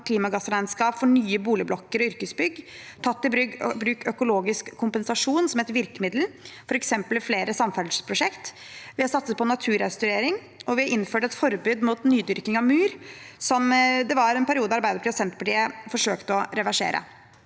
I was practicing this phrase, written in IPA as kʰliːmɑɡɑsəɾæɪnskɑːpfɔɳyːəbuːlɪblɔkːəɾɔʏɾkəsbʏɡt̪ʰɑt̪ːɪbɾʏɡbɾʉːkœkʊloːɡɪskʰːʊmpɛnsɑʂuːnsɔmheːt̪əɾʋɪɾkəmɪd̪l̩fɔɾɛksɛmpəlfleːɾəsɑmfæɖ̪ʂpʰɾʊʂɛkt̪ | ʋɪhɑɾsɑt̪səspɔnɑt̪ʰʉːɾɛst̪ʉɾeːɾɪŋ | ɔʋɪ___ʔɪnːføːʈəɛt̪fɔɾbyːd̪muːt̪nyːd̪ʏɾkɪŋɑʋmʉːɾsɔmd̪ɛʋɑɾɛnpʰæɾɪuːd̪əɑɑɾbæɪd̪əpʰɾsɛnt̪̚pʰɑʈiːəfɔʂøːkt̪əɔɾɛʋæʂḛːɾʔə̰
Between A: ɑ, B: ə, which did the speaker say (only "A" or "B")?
A